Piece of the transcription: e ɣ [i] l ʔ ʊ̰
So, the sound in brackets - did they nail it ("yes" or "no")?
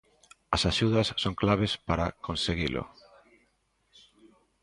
yes